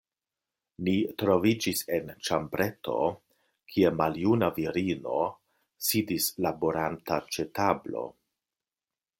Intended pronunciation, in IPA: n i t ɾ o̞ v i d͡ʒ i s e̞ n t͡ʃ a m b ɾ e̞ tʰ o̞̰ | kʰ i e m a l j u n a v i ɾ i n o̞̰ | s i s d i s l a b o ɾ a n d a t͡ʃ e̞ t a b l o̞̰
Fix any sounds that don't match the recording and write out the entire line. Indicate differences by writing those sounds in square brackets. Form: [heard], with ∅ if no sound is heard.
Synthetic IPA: n i t ɾ o̞ v i d͡ʒ i s e̞ n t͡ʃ a m b ɾ e̞ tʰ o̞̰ | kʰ i e m a l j u n a v i ɾ i n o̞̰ | s i [∅] d i s l a b o ɾ a n [t] a t͡ʃ e̞ t a b l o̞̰